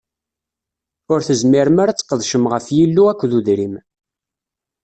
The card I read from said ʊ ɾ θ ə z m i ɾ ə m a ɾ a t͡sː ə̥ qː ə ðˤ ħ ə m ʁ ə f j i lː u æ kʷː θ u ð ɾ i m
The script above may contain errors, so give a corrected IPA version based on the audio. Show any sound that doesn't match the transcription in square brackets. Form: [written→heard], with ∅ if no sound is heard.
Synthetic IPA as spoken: ʊ ɾ θ ə z m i ɾ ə m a ɾ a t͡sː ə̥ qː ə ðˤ [ħ→ʃ] ə m ʁ ə f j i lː u æ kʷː [θ→ð] u ð ɾ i m